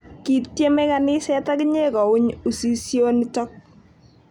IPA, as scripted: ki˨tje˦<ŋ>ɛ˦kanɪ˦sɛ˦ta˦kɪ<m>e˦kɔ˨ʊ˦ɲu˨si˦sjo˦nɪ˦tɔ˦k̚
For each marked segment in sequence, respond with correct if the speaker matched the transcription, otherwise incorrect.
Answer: incorrect, incorrect

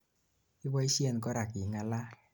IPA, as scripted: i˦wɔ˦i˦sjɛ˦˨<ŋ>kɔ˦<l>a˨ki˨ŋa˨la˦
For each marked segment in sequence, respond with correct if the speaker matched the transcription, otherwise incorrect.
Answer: incorrect, incorrect

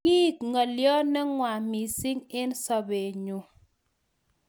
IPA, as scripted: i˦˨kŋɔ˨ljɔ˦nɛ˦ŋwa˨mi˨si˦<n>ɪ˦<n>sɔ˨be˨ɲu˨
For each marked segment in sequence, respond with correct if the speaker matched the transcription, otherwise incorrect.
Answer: incorrect, correct

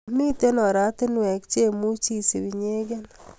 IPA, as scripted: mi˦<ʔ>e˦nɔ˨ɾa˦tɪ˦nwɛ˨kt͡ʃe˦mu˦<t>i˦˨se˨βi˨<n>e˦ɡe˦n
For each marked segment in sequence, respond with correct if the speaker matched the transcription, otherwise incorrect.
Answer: incorrect, incorrect, incorrect

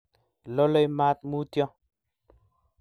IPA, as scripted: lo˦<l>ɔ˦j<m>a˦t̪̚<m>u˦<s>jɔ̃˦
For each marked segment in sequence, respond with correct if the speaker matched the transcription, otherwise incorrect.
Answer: correct, correct, correct, incorrect

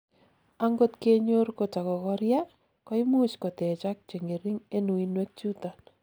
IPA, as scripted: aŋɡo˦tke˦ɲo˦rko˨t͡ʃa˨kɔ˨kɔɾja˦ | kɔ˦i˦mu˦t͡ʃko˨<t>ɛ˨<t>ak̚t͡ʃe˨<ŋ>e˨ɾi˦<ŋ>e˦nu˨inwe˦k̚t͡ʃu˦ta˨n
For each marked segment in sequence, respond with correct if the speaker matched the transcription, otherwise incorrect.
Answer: correct, incorrect, correct, correct

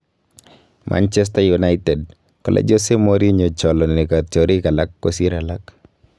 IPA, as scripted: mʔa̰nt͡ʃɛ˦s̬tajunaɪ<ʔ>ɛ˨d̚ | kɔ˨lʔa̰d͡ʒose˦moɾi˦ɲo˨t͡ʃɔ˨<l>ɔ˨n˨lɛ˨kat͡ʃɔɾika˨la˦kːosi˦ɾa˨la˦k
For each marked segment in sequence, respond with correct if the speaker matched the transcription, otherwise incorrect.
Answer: incorrect, correct

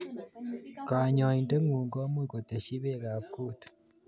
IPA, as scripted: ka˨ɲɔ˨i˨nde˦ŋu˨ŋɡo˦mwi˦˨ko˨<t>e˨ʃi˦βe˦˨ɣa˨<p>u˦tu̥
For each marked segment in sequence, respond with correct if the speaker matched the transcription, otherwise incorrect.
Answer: correct, incorrect

